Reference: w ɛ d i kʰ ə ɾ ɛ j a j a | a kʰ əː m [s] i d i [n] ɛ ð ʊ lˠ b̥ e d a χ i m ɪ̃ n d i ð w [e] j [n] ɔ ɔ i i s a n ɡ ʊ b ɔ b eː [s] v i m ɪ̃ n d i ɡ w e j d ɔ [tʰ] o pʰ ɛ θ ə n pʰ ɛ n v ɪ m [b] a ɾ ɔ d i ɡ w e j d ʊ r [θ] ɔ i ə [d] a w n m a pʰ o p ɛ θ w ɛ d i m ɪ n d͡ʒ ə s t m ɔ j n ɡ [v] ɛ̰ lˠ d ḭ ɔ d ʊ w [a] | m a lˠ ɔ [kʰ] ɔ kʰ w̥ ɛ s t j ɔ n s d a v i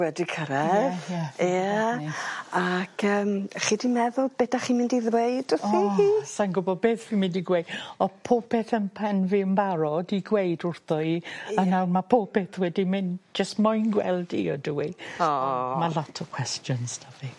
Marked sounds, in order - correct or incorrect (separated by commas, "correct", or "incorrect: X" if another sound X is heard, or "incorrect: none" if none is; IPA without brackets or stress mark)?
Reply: incorrect: χ, incorrect: m, correct, incorrect: d, incorrect: θ, incorrect: pʰ, correct, correct, incorrect: n, incorrect: w, incorrect: i, incorrect: tʰ